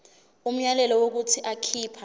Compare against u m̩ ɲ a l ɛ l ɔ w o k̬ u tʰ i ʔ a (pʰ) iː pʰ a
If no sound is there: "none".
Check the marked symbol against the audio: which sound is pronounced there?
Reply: kʰ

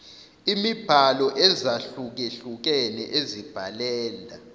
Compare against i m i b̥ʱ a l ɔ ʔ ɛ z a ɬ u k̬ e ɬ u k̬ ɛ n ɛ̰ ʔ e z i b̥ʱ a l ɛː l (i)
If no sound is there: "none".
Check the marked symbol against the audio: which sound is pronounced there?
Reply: a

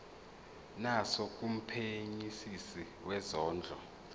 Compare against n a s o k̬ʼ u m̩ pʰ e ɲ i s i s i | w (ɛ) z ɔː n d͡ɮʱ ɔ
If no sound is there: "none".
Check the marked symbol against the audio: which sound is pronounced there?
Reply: ɛ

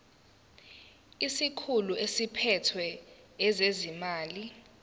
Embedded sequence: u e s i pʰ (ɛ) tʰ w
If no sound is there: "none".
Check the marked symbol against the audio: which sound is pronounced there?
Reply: ɛ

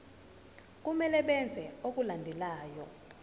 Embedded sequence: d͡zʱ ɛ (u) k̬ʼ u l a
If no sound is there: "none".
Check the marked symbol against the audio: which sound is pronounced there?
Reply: o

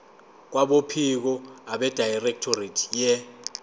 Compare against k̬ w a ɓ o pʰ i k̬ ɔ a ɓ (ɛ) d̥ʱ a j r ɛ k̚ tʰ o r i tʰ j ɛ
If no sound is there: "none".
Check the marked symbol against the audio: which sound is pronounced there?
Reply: ɛ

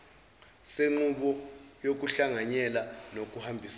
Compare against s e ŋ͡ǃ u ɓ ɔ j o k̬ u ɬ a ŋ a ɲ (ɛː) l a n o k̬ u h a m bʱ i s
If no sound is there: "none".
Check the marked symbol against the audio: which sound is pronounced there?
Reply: ɛ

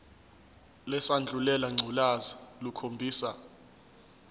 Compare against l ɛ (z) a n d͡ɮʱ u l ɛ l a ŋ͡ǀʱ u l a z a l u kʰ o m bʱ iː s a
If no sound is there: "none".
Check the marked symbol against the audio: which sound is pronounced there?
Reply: s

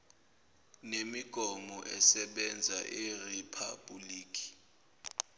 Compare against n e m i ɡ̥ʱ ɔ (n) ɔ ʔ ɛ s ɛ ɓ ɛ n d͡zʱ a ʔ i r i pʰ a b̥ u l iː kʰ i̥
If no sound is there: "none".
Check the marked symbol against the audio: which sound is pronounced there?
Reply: m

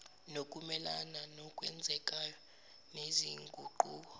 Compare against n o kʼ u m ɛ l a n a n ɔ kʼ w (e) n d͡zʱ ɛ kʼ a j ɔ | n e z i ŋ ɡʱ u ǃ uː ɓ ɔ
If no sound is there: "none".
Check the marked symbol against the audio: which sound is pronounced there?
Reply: ɛ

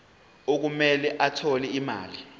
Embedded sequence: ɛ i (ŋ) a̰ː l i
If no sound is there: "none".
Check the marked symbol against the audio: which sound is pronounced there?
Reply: m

